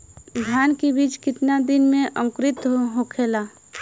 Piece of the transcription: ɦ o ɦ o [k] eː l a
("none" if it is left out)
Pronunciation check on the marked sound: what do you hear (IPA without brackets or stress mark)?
kʰ